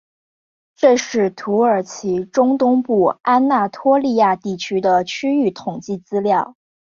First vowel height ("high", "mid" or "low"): mid